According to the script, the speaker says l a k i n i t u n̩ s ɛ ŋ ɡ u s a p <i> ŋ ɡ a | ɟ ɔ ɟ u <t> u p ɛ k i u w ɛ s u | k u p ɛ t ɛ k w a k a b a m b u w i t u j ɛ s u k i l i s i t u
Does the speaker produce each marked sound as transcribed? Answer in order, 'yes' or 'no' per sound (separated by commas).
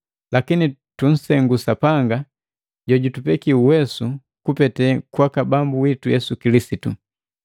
no, yes